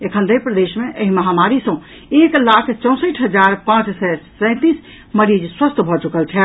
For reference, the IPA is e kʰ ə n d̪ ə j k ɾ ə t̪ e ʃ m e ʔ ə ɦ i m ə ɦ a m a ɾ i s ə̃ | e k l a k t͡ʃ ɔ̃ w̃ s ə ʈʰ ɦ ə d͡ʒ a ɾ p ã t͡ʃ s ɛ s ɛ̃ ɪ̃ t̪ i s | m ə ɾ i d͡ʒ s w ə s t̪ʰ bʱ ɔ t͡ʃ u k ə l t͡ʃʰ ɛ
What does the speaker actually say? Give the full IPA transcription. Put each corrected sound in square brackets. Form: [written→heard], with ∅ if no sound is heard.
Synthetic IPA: e kʰ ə n d̪ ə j [k→p] ɾ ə [t̪→d̪] e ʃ m e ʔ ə ɦ i m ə ɦ a m a ɾ i s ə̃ | e k l a [k→kʰ] t͡ʃ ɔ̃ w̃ s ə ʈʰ ɦ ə d͡ʒ a ɾ p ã t͡ʃ s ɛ s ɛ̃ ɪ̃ t̪ i s | m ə ɾ i d͡ʒ s w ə s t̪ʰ bʱ ɔ t͡ʃ u k ə l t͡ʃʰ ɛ